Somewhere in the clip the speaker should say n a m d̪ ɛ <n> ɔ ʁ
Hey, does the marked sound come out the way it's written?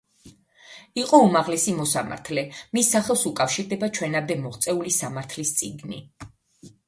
no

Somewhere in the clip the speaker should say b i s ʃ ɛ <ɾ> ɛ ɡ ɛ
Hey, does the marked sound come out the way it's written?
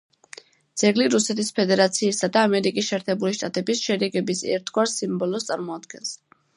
yes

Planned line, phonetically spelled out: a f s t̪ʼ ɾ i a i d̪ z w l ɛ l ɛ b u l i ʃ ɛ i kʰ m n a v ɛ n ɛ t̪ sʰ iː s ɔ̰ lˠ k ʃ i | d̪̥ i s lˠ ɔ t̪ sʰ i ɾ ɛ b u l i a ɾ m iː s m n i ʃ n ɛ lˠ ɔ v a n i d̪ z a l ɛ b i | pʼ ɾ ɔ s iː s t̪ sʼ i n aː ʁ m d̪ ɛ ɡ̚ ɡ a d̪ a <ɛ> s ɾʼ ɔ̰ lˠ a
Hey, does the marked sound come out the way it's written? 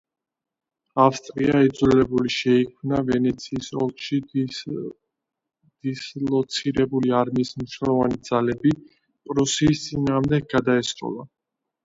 yes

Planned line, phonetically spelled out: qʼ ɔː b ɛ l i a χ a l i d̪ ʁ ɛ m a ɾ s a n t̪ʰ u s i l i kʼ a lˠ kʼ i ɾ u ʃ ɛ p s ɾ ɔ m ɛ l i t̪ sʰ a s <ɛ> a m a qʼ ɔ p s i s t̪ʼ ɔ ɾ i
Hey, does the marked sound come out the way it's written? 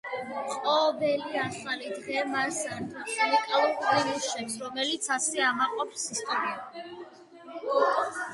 yes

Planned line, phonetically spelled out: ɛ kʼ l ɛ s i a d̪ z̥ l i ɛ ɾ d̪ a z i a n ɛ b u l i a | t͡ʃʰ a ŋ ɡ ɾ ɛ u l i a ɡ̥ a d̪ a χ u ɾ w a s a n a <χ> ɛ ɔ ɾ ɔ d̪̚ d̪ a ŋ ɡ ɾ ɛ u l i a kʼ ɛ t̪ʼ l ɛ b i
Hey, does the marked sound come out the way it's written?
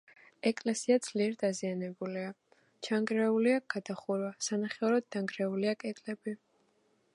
yes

